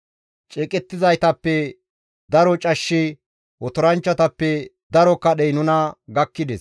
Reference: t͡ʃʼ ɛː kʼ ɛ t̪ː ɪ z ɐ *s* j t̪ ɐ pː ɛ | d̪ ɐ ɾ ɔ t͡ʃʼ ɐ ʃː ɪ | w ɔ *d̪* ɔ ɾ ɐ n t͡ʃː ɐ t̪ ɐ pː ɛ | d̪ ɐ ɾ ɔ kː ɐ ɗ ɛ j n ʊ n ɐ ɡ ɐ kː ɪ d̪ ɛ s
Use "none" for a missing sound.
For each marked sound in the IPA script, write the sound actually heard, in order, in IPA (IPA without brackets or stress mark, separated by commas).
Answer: none, t̪